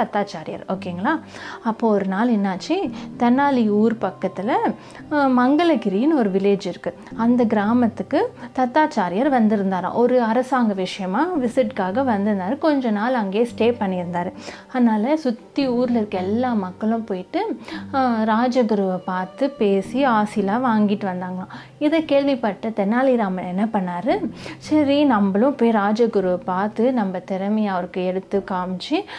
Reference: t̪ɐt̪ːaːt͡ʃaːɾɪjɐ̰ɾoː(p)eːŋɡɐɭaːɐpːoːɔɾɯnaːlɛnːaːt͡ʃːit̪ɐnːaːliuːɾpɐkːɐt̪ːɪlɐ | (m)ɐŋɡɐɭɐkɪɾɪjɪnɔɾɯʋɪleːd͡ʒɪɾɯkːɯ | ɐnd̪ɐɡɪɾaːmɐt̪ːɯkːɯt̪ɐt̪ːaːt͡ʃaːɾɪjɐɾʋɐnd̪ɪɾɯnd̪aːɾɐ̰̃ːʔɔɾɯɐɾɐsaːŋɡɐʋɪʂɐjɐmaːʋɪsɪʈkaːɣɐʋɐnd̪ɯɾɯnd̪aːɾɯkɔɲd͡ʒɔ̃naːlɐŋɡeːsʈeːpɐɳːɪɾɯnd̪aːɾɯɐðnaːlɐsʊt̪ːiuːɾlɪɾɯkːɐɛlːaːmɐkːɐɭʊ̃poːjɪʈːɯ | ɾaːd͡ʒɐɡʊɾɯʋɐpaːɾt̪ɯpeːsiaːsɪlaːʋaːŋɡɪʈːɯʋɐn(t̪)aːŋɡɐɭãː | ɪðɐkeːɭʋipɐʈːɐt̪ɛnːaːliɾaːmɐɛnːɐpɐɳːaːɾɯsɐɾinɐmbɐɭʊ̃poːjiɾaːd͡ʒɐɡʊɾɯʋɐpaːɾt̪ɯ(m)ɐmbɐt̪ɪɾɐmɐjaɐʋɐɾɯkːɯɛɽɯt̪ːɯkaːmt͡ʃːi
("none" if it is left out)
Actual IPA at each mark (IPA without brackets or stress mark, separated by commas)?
k, m, d̪, n